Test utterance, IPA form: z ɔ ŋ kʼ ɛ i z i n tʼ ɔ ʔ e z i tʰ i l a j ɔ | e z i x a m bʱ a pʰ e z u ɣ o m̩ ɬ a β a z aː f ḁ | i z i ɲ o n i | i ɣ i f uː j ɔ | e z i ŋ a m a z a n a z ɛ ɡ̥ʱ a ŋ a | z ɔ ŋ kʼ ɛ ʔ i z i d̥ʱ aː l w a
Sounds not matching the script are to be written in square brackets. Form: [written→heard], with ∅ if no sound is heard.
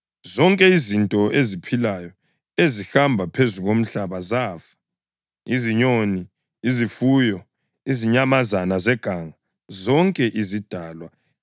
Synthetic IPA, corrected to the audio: z ɔ ŋ kʼ ɛ i z i n tʼ ɔ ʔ e z i [tʰ→pʰ] i l a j ɔ | e z i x a m bʱ a pʰ e z u ɣ o m̩ ɬ a β a z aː f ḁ | i z i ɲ o n i | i [ɣ→z] i f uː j ɔ | [e→i] z i [ŋ→ɲ] a m a z a n a z ɛ ɡ̥ʱ a ŋ a | z ɔ ŋ kʼ ɛ ʔ i z i d̥ʱ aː l w a

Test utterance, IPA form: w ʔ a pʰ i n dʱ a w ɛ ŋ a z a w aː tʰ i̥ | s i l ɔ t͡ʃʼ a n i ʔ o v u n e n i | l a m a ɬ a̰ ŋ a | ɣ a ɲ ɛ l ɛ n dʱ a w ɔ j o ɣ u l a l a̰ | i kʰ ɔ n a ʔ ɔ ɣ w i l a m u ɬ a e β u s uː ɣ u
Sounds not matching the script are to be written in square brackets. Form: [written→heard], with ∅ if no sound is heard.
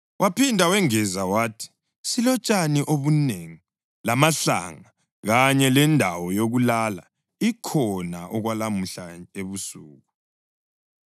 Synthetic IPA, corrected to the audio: w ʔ a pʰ i n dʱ a w ɛ ŋ [a→ɛ] z a w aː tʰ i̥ | s i l ɔ t͡ʃʼ a n i ʔ o [v→β] u n e [n→ŋ] i | l a m a ɬ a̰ ŋ a | ɣ a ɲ ɛ l ɛ n dʱ a w ɔ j o ɣ u l a l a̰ | i kʰ ɔ n a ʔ ɔ ɣ w [i→a] l a m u ɬ a e β u s uː ɣ u

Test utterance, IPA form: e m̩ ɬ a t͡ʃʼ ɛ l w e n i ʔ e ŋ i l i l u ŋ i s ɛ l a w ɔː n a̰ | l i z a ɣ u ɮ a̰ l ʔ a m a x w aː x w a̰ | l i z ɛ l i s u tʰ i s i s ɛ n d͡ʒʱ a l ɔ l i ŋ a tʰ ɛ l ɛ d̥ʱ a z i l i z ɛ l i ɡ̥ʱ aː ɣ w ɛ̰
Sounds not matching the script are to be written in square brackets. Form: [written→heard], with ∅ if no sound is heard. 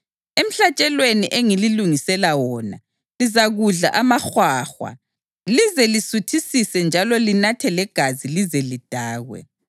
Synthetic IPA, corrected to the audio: e m̩ ɬ a t͡ʃʼ ɛ l w e n i ʔ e ŋ i l i l u ŋ i s ɛ l a w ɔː n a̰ | l i z a ɣ u ɮ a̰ [l→∅] ʔ a m a x w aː x w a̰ | l i z ɛ l i s u tʰ i s i s ɛ n d͡ʒʱ a l ɔ l i [ŋ→n] a tʰ ɛ l ɛ [d̥ʱ→ɡ̥ʱ] a z i l i z ɛ l i [ɡ̥ʱ→d̥ʱ] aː ɣ w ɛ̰

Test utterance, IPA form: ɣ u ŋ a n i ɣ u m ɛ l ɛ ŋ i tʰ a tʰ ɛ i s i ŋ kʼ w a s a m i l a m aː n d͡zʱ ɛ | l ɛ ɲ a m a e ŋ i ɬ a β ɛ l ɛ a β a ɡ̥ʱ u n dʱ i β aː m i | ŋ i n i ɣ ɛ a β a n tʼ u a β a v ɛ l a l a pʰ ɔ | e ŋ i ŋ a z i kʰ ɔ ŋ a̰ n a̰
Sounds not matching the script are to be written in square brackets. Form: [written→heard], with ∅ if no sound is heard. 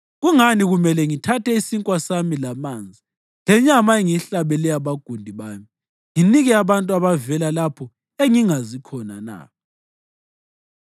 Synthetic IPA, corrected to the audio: ɣ u ŋ a n i ɣ u m ɛ l ɛ ŋ i tʰ a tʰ ɛ i s i ŋ kʼ w a s a m i l a m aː n d͡zʱ [ɛ→i] | l ɛ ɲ a m a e ŋ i ɬ a β ɛ l ɛ a β a ɡ̥ʱ u n dʱ i β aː m i | ŋ i n i ɣ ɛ a β a n tʼ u a β a v ɛ l a l a pʰ ɔ | e ŋ i ŋ a z i kʰ ɔ [ŋ→n] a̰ n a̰

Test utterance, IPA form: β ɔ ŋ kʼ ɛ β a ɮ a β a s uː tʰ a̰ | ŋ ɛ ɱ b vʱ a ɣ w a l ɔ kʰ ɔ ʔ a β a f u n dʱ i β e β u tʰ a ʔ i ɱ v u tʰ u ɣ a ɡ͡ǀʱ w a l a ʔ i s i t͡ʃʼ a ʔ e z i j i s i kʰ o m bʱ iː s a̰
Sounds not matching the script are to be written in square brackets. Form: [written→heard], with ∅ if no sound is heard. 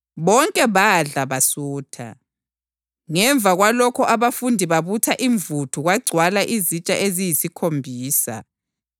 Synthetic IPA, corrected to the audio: β ɔ ŋ kʼ ɛ β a ɮ a β a s uː tʰ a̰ | ŋ ɛ ɱ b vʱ a ɣ w a l ɔ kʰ ɔ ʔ a β a f u n dʱ i β [e→a] β u tʰ a ʔ i ɱ v u tʰ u ɣ a ɡ͡ǀʱ w a l a ʔ i [s→z] i t͡ʃʼ a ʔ e z i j i s i kʰ o m bʱ iː s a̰

